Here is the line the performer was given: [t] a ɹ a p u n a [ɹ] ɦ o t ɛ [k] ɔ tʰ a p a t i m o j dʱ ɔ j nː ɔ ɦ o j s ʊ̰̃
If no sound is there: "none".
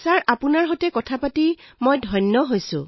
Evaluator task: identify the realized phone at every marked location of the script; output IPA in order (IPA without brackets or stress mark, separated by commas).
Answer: s, ɹ, k